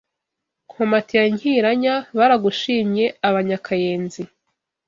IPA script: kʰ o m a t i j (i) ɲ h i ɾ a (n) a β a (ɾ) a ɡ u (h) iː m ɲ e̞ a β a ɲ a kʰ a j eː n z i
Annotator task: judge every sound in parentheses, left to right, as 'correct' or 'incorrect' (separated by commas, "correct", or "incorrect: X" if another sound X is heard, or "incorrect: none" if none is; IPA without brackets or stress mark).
incorrect: a, incorrect: ɲ, correct, incorrect: ʃ